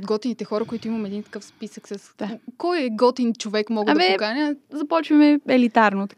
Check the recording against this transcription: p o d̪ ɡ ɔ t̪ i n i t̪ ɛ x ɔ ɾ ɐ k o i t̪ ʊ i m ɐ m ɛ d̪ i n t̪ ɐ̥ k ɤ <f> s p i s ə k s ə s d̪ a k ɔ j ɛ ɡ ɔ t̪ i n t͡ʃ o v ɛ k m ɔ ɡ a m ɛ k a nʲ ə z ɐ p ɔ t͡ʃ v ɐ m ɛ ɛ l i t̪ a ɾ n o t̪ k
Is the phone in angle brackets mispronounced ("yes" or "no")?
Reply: no